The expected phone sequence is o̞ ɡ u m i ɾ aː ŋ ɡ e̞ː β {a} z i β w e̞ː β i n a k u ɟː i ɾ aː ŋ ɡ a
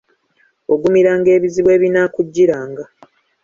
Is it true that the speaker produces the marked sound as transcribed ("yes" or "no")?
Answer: no